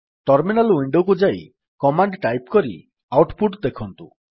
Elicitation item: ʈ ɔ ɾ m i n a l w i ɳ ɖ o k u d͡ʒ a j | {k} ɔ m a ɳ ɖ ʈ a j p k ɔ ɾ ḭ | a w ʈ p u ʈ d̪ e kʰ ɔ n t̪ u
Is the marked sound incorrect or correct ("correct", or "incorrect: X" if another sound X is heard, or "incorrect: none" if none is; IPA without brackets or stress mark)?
correct